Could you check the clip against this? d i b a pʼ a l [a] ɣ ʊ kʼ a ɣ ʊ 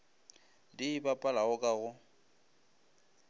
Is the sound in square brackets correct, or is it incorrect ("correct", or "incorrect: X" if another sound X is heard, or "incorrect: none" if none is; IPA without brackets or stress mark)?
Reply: correct